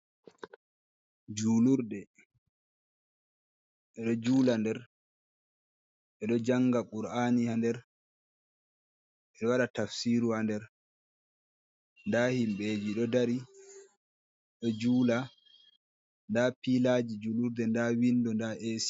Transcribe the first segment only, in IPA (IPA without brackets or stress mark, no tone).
d͡ʒ